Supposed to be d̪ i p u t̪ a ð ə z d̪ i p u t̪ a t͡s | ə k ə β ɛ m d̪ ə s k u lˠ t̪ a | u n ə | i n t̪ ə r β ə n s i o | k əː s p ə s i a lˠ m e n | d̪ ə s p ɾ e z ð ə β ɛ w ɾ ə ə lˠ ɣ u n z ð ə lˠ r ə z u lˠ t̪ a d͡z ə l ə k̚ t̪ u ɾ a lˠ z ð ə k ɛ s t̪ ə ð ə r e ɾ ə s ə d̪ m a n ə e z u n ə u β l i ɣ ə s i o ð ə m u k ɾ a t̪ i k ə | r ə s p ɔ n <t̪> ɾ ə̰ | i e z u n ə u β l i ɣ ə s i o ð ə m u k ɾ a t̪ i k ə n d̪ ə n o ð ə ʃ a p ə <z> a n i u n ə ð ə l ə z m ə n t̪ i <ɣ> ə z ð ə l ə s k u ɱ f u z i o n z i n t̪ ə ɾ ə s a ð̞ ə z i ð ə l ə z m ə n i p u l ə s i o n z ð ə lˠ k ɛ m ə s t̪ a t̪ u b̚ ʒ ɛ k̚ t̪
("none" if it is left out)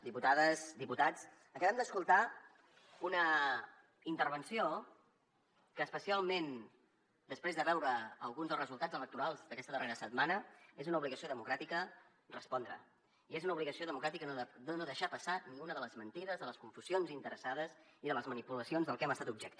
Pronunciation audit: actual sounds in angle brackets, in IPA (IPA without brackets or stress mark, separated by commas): d̪, s, ð